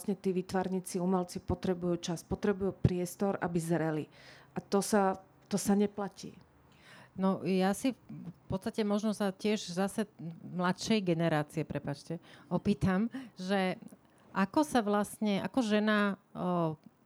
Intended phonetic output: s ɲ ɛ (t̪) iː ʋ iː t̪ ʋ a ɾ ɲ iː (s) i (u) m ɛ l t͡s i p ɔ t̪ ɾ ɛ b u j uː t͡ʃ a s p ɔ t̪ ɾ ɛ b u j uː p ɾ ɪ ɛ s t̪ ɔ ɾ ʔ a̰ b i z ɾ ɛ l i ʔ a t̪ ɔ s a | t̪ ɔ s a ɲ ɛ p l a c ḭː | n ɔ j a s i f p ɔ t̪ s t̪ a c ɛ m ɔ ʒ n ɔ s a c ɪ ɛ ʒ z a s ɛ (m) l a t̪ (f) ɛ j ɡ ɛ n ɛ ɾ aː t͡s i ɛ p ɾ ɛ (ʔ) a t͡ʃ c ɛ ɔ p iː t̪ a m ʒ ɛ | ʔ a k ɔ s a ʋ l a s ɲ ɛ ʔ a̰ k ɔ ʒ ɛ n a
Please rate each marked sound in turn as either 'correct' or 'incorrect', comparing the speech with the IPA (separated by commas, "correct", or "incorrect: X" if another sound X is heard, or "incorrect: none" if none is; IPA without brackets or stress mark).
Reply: correct, incorrect: t͡s, correct, correct, incorrect: ʃ, incorrect: p